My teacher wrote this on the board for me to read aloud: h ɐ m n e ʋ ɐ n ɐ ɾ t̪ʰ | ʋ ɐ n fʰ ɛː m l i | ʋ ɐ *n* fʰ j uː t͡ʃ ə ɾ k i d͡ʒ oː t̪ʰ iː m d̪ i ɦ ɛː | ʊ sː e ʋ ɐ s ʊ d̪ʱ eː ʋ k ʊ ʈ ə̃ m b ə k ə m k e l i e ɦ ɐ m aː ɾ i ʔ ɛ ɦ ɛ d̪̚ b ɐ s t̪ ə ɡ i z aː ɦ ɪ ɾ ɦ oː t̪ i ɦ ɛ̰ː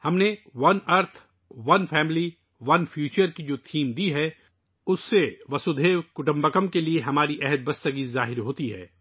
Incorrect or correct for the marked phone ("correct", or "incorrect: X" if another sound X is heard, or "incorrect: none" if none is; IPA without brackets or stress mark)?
correct